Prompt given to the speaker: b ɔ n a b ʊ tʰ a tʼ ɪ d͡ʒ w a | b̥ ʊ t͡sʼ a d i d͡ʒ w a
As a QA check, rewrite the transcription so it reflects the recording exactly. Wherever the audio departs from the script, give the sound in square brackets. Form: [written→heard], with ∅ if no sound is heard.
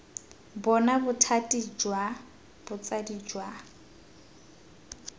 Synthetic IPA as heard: b ɔ n a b ʊ tʰ a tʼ [ɪ→i] d͡ʒ w a | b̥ ʊ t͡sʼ a d i d͡ʒ w a